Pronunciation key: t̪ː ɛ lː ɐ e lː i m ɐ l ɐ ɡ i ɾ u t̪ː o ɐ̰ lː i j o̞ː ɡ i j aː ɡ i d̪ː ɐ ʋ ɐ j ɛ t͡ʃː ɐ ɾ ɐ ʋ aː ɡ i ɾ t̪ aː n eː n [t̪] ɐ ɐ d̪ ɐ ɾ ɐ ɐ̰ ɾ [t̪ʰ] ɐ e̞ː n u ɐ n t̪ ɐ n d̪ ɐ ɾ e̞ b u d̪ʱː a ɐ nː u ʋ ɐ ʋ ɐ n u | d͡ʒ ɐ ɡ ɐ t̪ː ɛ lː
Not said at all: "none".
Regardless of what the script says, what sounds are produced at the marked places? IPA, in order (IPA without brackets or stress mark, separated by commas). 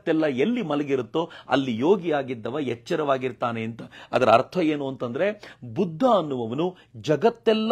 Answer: t̪, t̪ʰ